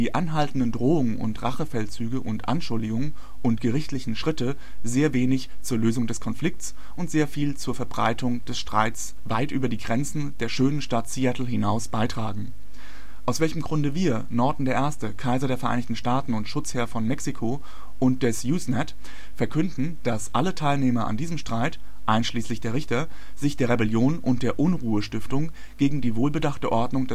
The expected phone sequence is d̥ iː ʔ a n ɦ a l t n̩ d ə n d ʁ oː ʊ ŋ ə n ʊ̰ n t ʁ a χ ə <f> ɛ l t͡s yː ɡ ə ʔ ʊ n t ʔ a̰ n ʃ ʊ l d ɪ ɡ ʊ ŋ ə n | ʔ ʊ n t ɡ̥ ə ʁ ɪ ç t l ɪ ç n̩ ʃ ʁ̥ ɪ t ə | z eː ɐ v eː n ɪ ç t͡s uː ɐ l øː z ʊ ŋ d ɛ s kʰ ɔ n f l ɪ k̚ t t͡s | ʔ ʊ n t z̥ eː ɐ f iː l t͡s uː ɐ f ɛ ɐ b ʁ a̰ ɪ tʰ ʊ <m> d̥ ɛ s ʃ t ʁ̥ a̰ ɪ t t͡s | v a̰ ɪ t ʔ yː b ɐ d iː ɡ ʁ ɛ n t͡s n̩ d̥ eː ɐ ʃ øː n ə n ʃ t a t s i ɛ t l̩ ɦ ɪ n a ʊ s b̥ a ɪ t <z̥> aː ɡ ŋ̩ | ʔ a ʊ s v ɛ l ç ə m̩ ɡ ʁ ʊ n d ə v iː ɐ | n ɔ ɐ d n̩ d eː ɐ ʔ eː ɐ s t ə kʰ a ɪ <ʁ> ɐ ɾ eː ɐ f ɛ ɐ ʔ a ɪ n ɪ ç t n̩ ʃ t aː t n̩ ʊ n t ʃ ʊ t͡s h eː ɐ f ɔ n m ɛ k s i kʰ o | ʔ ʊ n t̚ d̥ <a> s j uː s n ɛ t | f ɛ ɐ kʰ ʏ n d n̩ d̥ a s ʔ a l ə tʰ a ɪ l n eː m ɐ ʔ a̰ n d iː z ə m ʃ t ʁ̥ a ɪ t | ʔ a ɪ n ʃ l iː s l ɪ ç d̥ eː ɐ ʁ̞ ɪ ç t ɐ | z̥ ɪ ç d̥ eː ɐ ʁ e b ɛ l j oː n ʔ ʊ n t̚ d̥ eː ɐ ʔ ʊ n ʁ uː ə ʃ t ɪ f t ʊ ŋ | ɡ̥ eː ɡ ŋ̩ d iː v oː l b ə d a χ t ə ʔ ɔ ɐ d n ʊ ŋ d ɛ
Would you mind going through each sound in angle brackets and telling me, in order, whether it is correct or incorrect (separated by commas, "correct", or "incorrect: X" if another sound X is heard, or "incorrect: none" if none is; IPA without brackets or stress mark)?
correct, incorrect: ŋ, incorrect: ʁ̥, incorrect: z, incorrect: ɛ